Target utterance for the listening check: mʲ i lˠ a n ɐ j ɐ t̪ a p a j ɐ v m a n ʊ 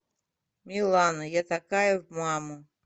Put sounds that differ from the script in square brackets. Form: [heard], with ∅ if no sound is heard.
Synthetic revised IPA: mʲ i lˠ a n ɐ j [a] t̪ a [k] a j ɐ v m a [m] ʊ